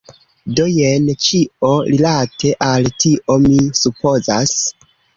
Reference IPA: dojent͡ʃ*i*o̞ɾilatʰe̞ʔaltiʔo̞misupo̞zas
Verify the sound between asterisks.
correct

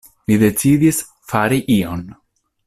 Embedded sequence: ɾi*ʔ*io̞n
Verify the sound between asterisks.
correct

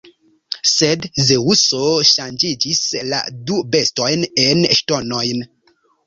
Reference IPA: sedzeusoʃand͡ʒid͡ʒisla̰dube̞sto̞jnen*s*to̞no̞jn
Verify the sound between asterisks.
incorrect: ʃ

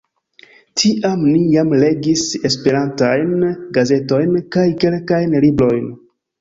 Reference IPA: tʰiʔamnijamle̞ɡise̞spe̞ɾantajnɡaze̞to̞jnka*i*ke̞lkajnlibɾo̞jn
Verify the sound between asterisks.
incorrect: j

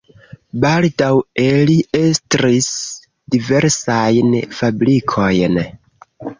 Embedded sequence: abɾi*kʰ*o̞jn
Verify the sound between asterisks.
correct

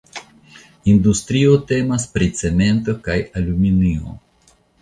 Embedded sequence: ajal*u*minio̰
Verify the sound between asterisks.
correct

